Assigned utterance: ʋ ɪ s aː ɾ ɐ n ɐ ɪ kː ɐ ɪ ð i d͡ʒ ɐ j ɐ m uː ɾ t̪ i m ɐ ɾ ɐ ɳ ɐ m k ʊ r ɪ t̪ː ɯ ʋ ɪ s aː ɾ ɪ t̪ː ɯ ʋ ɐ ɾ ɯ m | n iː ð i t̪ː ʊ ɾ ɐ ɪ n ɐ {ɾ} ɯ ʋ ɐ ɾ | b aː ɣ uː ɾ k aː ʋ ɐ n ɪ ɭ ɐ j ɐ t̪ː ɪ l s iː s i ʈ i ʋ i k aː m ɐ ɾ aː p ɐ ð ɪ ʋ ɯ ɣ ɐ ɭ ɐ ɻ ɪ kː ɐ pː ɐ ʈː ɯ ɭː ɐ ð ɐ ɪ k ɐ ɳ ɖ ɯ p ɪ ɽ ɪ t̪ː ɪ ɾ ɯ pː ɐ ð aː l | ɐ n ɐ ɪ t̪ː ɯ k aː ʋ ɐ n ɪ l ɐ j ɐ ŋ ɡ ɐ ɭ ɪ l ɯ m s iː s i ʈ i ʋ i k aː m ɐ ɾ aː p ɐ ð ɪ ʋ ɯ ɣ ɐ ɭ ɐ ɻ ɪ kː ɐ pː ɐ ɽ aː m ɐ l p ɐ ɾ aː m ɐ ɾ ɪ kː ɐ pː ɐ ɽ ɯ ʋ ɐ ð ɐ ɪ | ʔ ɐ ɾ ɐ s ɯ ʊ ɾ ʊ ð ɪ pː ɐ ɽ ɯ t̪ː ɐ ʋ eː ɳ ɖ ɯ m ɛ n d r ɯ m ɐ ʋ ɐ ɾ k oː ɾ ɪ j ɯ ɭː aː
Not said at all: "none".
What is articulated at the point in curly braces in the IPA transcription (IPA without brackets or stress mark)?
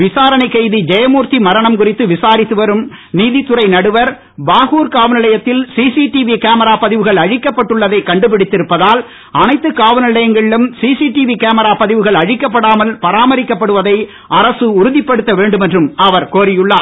ɽ